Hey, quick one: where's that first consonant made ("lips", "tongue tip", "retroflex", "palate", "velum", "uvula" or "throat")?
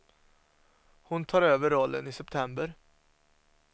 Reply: throat